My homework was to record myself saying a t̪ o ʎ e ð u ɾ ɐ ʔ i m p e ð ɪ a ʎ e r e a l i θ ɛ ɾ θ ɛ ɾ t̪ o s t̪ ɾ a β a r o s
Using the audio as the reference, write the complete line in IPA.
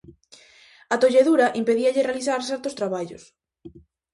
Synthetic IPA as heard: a t̪ o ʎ e ð u ɾ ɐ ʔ i m p e ð i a ʎ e r e a l i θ a ɾ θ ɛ ɾ t̪ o s t̪ ɾ a β a ʎ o s